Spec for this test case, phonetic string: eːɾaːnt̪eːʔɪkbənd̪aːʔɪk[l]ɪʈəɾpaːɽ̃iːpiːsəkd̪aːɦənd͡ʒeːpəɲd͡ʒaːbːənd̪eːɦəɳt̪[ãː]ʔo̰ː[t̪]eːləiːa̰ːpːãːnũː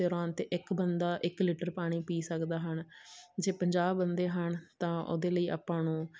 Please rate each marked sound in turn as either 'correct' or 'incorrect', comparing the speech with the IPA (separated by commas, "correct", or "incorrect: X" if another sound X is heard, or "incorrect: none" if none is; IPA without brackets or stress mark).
correct, correct, incorrect: d̪